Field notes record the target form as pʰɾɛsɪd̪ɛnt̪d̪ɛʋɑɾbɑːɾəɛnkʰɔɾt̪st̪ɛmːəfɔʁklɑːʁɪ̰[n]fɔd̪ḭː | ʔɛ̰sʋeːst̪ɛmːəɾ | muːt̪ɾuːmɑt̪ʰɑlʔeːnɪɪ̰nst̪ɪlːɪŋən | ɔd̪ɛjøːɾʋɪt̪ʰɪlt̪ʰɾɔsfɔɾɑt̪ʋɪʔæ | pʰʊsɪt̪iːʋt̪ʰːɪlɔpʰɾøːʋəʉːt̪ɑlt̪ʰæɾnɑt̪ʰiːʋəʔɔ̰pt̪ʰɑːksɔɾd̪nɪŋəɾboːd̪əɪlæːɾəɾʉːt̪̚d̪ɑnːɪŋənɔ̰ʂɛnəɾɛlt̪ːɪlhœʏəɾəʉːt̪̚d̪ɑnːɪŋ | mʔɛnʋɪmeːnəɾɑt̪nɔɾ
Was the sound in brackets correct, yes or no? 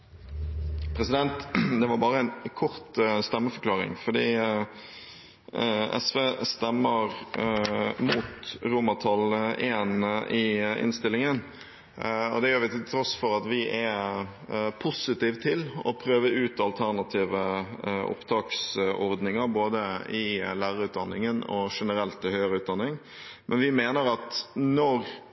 no